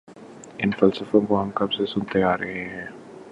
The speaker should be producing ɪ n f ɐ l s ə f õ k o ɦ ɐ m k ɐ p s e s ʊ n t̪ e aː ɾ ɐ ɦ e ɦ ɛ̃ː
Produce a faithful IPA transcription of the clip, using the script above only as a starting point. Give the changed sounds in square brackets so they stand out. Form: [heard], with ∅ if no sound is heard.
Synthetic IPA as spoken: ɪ n f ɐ l s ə f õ k o ɦ ɐ m k ɐ [b] s e s ʊ n t̪ e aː ɾ ɐ ɦ e ɦ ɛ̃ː